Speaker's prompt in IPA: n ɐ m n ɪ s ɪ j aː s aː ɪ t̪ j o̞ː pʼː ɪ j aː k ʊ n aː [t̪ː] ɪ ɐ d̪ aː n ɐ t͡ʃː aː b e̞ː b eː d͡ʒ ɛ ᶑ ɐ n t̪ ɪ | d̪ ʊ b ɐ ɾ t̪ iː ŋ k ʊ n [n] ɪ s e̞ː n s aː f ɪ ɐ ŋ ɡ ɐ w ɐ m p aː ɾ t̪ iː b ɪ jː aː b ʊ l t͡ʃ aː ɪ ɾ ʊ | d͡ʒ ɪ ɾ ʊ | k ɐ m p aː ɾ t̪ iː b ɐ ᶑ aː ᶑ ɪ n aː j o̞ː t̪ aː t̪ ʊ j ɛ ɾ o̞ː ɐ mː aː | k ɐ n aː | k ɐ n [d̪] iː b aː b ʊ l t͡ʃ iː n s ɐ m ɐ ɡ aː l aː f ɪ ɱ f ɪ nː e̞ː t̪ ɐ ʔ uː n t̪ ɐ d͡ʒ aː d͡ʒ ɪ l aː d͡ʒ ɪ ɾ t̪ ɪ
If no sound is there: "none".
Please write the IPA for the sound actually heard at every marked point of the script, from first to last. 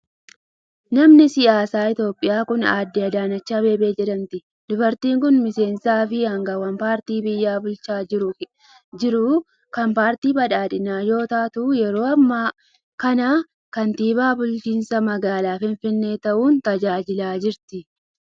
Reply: d̪ː, m, t̪

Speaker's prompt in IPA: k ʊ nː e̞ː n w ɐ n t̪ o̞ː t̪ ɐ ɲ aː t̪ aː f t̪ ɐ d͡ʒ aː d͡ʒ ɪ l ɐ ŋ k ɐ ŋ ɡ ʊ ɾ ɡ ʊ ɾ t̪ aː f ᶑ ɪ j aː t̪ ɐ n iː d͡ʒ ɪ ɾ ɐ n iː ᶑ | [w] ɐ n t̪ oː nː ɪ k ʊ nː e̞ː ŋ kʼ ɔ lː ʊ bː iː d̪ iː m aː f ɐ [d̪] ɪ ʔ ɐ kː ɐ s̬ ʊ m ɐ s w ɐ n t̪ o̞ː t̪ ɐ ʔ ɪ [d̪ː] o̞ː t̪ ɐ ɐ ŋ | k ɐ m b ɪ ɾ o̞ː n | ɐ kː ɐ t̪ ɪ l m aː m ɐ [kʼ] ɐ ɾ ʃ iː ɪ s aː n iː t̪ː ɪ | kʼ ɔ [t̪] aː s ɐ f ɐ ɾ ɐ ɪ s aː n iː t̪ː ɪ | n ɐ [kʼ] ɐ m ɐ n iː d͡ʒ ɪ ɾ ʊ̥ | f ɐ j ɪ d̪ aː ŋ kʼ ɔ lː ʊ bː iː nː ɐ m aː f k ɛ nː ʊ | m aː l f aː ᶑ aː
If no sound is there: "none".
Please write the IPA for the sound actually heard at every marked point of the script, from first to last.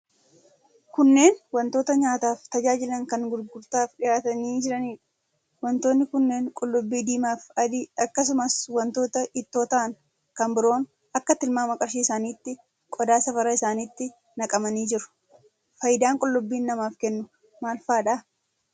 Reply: w, d̪, t̪ː, kʼ, d̪, kʼ

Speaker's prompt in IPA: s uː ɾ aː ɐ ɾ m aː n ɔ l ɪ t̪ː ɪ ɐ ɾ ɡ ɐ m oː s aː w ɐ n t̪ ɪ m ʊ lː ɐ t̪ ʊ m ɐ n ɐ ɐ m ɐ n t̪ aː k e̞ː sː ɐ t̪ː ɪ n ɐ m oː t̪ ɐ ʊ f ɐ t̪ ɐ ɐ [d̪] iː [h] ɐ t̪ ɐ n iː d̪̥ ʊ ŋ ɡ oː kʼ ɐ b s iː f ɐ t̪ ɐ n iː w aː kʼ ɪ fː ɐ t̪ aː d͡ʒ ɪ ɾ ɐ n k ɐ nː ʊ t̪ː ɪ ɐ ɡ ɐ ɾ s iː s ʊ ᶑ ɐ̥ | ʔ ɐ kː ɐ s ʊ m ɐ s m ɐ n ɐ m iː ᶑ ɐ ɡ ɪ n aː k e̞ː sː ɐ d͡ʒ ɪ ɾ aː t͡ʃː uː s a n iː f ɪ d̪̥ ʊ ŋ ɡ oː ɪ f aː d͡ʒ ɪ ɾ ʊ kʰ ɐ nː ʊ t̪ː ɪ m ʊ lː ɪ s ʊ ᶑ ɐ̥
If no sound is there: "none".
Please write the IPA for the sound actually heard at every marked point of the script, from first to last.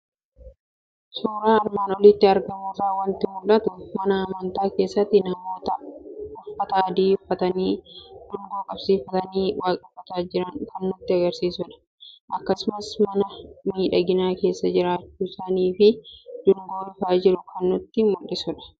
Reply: d̪, f

